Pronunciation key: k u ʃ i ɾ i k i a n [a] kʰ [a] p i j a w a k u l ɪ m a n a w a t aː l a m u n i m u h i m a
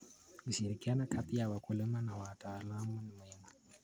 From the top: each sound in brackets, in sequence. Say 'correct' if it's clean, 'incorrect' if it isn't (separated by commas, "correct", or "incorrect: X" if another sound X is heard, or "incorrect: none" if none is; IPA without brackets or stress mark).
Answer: correct, correct